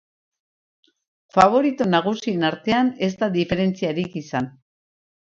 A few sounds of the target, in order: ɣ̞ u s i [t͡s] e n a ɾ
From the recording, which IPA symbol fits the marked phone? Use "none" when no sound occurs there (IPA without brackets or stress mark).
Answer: none